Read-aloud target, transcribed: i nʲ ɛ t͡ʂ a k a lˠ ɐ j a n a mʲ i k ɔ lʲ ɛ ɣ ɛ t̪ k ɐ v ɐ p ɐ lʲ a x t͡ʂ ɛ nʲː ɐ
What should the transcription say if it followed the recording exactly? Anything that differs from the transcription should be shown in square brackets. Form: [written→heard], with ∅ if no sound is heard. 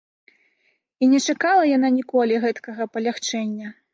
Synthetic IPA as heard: i nʲ ɛ t͡ʂ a k a lˠ ɐ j a n a [mʲ→nʲ] i k ɔ lʲ [ɛ→i] ɣ ɛ t̪ k ɐ [v→ɣ] ɐ p ɐ lʲ a x t͡ʂ ɛ nʲː ɐ